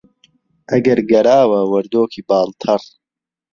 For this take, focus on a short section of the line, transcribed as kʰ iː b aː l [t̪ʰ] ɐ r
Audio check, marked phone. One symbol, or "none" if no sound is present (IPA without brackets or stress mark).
t̪ʰ